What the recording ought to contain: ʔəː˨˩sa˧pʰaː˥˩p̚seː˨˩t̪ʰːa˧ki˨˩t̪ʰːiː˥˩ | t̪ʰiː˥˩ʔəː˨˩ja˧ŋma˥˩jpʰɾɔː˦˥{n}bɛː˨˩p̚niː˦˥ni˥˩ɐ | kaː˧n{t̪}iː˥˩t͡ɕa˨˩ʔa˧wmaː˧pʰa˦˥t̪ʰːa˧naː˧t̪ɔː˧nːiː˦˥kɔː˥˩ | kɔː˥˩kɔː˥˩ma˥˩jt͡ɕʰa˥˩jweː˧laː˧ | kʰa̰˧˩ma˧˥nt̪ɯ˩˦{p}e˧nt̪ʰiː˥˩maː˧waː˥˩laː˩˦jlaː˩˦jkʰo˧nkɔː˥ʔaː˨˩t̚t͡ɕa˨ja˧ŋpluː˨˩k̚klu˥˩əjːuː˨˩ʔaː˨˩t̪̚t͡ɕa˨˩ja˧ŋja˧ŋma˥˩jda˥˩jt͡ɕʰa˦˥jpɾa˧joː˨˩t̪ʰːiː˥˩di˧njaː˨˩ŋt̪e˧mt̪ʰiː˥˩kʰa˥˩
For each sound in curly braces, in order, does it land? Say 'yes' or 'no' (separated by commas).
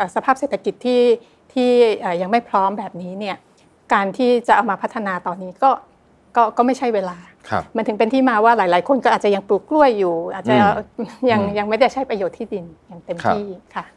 no, no, yes